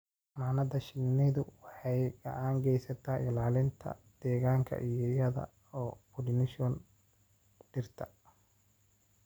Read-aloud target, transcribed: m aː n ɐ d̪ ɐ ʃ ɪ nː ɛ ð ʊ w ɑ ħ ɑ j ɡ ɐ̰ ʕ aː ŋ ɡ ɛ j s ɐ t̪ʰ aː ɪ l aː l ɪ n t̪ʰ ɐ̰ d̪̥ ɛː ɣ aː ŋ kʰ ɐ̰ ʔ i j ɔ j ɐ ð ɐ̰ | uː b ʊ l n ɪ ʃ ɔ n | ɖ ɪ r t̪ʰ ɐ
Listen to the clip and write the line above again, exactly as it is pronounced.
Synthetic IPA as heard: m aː n ɐ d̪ ɐ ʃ ɪ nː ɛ ð ʊ w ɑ ħ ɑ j ɡ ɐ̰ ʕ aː ŋ ɡ ɛ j s ɐ t̪ʰ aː ɪ l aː l ɪ n t̪ʰ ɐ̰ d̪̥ ɛː ɣ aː ŋ kʰ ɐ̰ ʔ i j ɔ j ɐ ð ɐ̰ | ɔː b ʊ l n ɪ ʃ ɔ n | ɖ ɪ r t̪ʰ ɐ